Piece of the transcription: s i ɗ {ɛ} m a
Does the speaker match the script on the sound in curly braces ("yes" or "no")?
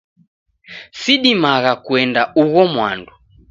no